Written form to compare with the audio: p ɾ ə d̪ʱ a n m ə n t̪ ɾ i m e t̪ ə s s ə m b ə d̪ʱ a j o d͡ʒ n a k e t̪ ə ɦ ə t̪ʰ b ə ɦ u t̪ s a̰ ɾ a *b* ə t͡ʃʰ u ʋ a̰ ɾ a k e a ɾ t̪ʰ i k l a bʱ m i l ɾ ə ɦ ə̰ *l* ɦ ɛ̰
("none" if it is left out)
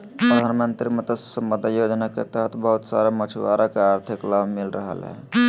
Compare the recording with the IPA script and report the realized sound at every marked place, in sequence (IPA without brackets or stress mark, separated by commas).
m, l